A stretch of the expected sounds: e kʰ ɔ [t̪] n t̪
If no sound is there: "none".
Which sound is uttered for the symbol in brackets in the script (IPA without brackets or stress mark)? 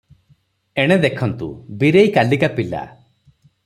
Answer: none